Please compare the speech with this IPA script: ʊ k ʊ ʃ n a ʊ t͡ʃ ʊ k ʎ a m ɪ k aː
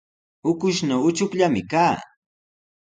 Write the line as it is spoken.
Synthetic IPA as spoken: ʊ k ʊ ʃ n a ʊ t͡ʃ ʊ k ʎ a m ɪ k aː